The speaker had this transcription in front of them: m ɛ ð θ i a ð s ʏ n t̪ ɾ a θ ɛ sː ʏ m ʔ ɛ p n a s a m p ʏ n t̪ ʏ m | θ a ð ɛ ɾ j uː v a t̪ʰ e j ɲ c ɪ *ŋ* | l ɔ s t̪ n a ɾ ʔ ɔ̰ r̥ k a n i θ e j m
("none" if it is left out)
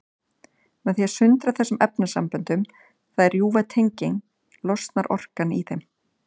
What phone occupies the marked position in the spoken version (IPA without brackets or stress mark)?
ŋ